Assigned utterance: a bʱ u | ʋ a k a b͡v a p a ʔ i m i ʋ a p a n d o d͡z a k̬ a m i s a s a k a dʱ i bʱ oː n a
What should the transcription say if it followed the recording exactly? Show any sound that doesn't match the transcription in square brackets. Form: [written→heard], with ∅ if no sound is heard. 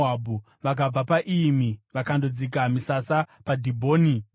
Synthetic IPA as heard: a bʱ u | ʋ a k a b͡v a p a ʔ i m i ʋ a [p→k] a n d o d͡z [a→i] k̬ a m i s a s a [k→p] a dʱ i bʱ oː n [a→i]